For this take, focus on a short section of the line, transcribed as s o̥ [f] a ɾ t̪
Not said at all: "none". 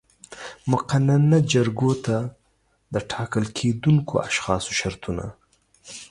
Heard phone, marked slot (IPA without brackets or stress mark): ʃ